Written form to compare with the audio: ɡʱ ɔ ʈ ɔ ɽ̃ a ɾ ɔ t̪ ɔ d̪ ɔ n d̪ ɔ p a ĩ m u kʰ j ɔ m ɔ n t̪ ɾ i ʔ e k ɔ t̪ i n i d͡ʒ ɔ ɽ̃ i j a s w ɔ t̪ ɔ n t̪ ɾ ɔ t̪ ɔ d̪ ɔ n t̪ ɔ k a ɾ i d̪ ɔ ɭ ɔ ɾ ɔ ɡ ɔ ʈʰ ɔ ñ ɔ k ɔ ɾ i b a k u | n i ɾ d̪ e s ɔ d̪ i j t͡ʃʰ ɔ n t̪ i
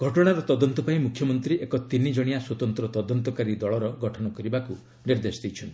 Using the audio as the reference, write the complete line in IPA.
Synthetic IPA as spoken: ɡʱ ɔ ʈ ɔ ɽ̃ a ɾ ɔ t̪ ɔ d̪ ɔ n t̪ ɔ p a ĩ m u kʰ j ɔ m ɔ n t̪ ɾ i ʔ e k ɔ t̪ i n i d͡ʒ ɔ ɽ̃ i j a s w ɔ t̪ ɔ n t̪ ɾ ɔ t̪ ɔ d̪ ɔ n t̪ ɔ k a ɾ i d̪ ɔ ɭ ɔ ɾ ɔ ɡ ɔ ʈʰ ɔ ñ ɔ k ɔ ɾ i b a k u | n i ɾ d̪ e s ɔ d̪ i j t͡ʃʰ ɔ n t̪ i